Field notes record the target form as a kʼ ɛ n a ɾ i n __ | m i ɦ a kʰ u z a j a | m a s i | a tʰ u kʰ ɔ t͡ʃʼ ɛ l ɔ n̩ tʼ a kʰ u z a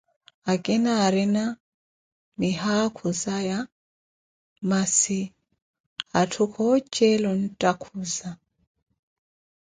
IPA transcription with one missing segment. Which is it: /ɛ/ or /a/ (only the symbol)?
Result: a